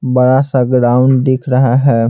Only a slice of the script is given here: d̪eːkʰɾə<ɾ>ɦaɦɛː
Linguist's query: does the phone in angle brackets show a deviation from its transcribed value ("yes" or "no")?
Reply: yes